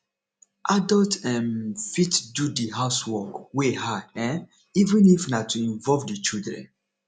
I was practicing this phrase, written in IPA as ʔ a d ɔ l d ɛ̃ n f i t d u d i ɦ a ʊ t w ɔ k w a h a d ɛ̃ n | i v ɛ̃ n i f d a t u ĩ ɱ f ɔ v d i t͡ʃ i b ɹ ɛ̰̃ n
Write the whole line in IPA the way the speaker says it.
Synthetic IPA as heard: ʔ a d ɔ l t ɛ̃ n f i t d u d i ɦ a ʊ s w ɔ k w e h a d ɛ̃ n | i v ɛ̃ n i f n a t u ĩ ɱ v ɔ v d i t͡ʃ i d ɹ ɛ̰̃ n